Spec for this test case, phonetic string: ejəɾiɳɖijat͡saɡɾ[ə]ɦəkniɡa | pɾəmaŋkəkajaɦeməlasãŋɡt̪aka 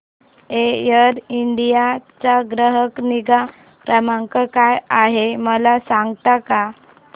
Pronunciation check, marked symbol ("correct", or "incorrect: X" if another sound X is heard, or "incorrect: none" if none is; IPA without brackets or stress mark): correct